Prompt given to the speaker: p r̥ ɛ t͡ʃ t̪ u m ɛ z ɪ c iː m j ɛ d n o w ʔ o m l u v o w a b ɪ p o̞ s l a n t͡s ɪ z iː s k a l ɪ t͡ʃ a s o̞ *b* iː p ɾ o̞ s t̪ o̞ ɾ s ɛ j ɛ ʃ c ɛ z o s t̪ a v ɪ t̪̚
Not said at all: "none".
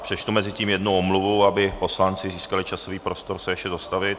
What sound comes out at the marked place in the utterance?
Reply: v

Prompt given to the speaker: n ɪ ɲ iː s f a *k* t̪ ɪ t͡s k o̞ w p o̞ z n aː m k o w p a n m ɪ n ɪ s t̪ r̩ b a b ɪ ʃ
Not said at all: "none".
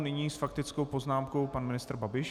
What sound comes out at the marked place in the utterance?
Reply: k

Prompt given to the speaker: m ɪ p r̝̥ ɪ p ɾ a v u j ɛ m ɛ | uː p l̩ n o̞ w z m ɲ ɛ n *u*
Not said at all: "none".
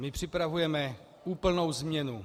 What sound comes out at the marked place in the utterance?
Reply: u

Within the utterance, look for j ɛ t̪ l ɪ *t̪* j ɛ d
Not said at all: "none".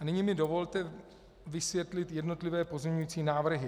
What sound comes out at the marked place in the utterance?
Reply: t̪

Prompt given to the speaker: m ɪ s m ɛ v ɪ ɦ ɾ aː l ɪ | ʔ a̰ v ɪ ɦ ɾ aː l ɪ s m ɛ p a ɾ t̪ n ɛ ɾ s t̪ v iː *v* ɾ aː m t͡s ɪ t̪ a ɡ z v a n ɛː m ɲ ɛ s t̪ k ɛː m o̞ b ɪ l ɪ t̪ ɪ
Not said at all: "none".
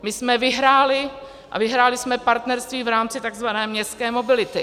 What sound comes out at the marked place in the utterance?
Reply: v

